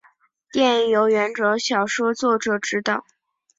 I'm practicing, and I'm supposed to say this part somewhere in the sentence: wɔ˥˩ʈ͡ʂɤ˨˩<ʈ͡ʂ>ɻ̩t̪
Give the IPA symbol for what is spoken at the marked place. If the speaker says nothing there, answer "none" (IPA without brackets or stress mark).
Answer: ʈ͡ʂ